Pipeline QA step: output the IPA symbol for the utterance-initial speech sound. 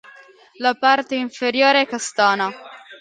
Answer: l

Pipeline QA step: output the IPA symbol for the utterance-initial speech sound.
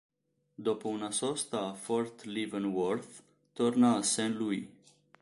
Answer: d̪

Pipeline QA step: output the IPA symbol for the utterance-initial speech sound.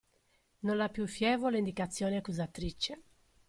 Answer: n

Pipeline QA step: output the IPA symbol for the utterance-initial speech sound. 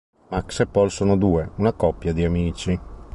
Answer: m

